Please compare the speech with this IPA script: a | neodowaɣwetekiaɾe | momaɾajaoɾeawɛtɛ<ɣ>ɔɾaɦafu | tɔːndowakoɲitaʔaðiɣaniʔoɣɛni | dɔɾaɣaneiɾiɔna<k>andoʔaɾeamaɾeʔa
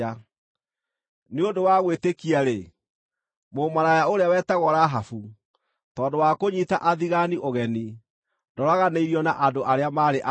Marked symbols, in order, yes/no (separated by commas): yes, no